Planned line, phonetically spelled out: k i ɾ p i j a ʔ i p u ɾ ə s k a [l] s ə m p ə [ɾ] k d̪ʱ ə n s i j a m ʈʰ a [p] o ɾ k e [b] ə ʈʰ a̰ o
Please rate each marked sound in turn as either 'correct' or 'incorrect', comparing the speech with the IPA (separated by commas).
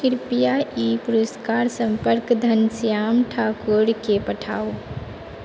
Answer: incorrect, correct, incorrect, incorrect